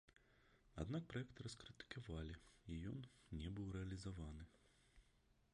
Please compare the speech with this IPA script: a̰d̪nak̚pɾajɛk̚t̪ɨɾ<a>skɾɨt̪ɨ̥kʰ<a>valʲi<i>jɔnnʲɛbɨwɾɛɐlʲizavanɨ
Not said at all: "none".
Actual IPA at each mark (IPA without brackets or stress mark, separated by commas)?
ɐ, a, i